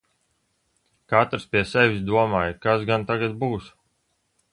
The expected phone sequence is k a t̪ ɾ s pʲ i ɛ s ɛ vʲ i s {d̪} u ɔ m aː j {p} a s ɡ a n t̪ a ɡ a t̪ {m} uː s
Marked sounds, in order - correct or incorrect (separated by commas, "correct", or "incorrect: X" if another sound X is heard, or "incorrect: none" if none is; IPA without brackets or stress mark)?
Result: correct, incorrect: k, incorrect: b